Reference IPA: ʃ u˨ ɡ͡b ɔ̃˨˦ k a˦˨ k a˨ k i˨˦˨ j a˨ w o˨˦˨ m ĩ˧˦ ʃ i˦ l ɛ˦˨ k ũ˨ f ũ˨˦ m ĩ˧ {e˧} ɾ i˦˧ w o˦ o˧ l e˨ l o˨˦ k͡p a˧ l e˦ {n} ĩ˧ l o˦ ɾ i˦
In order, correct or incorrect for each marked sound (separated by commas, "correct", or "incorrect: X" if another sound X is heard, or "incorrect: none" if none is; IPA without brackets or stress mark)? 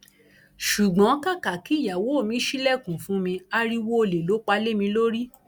incorrect: a˧, incorrect: m